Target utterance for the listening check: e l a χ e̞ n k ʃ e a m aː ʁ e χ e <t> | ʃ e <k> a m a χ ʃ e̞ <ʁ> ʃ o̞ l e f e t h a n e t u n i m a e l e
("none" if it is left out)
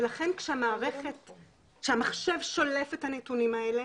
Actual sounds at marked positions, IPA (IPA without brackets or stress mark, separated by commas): t, none, v